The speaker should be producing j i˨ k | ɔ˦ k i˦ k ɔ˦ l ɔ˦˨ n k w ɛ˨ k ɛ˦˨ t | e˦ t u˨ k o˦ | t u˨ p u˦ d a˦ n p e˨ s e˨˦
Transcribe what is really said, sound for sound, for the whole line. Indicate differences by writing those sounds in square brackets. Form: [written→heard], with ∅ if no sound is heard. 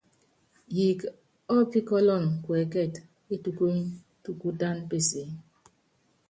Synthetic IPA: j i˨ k | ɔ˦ [k→p] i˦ k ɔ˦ l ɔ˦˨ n k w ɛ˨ k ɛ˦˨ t | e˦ t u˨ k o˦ | t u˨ [p→k] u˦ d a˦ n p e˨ s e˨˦